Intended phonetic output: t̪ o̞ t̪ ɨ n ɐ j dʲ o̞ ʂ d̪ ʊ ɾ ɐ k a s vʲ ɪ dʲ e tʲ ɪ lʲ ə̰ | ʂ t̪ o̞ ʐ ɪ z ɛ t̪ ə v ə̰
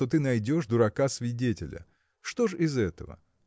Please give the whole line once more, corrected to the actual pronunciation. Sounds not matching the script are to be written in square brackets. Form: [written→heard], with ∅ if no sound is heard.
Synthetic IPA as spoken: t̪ o̞ t̪ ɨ n ɐ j dʲ o̞ ʂ d̪ ʊ ɾ ɐ k a s vʲ ɪ dʲ e tʲ ɪ lʲ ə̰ | ʂ t̪ o̞ ʐ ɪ z ɛ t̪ ə v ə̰